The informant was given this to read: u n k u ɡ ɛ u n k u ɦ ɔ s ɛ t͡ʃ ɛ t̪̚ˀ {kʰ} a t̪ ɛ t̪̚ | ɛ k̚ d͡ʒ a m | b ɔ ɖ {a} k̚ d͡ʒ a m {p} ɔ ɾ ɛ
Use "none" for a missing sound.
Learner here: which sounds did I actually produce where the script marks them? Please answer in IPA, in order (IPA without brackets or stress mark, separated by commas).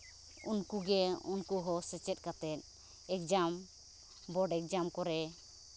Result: k, ɛ, k